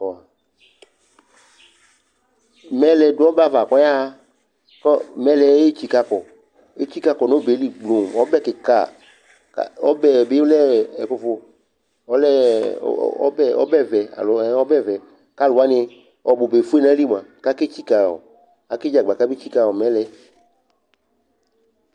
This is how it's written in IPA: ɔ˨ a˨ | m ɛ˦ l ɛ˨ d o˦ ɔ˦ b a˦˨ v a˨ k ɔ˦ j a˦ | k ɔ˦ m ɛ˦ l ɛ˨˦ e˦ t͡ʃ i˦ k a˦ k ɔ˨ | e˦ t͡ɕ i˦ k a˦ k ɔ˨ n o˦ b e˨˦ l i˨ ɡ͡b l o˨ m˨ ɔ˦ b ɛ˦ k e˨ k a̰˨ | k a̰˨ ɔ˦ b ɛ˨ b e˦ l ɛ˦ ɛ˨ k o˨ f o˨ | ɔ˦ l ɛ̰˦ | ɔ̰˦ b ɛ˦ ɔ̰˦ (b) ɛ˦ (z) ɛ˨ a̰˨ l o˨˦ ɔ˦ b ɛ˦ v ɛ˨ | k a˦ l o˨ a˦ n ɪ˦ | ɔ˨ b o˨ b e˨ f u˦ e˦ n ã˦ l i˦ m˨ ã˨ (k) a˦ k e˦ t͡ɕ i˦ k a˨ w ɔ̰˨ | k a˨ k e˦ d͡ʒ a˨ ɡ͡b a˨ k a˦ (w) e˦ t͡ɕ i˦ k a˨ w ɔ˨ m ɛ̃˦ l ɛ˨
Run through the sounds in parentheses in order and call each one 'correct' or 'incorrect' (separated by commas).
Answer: correct, incorrect, correct, incorrect